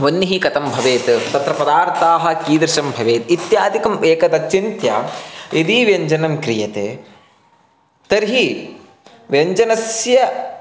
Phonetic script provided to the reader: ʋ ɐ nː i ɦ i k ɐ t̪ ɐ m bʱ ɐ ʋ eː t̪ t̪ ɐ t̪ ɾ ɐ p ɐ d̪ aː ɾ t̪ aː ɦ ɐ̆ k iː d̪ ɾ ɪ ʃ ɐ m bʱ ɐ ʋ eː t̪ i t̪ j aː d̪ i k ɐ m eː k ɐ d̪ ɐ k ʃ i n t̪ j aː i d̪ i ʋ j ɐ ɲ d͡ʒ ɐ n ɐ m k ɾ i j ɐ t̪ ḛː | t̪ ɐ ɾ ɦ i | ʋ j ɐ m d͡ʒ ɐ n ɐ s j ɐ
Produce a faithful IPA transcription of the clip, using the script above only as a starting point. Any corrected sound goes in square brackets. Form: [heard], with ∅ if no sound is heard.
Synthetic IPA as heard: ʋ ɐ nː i ɦ i k ɐ t̪ ɐ m bʱ ɐ ʋ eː t̪ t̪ ɐ t̪ ɾ ɐ p ɐ d̪ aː ɾ t̪ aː ɦ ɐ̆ k iː d̪ ɾ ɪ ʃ ɐ m bʱ ɐ ʋ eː t̪ i t̪ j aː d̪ i k ɐ m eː k ɐ d̪ ɐ k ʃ i n t̪ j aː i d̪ i ʋ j ɐ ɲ d͡ʒ ɐ n ɐ m k ɾ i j ɐ t̪ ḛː | t̪ ɐ ɾ ɦ i | ʋ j ɐ [ɲ] d͡ʒ ɐ n ɐ s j ɐ